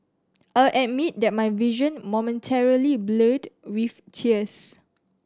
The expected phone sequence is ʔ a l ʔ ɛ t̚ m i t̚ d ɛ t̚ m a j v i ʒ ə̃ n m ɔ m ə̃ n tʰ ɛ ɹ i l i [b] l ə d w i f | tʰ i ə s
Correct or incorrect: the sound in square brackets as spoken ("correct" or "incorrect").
correct